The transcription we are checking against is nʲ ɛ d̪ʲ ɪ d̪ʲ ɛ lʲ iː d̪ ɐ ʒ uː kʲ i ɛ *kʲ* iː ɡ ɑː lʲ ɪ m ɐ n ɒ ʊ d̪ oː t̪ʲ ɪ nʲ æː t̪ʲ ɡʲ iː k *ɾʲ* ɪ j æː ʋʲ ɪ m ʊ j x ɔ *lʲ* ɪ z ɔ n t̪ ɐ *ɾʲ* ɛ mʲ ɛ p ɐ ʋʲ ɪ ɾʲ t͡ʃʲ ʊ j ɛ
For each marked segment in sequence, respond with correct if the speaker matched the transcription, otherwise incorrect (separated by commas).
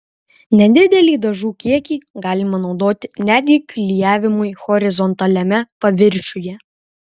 correct, incorrect, incorrect, incorrect